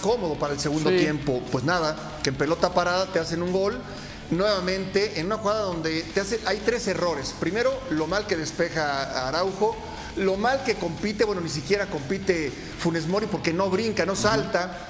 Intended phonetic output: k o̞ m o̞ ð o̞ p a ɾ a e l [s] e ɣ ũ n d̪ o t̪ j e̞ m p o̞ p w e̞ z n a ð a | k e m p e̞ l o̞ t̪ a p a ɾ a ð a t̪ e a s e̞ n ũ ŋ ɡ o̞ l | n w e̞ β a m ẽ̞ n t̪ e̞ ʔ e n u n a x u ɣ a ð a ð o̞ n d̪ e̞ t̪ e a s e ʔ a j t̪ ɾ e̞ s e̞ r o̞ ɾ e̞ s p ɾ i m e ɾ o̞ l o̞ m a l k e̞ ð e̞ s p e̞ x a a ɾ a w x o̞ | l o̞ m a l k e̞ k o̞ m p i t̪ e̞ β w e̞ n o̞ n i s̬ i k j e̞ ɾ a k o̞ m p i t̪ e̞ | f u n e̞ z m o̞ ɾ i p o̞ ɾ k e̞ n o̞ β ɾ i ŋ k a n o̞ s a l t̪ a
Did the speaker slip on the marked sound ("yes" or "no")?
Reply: no